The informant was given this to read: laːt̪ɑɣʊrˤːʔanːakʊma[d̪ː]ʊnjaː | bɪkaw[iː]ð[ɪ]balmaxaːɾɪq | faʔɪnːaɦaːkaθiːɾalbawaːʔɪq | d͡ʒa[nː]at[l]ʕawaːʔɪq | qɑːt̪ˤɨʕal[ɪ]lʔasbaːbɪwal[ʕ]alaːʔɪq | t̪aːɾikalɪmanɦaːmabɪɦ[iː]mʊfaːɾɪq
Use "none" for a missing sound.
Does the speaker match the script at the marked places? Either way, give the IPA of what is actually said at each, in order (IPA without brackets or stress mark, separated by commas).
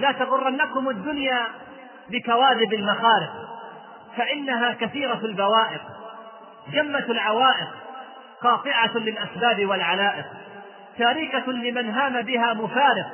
d̪ː, aː, ɪ, mː, l, ɪ, ʕ, aː